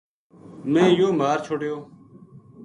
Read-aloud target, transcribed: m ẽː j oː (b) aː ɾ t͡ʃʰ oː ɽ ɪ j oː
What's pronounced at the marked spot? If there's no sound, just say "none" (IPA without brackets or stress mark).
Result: m